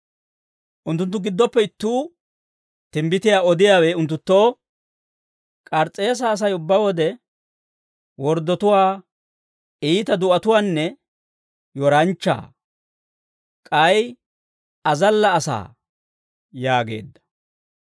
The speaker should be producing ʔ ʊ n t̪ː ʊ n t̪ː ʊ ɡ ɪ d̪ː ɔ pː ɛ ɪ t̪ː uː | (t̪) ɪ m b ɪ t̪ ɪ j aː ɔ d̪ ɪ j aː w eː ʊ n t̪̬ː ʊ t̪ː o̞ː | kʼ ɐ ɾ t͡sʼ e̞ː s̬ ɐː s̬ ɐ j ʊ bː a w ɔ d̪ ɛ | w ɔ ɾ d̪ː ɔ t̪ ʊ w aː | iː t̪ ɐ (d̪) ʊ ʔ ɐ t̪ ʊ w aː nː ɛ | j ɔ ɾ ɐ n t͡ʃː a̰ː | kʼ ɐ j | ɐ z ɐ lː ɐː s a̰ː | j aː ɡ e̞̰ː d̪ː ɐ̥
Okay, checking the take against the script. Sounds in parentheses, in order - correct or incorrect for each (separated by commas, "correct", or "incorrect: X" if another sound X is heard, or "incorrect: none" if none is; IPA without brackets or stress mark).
correct, correct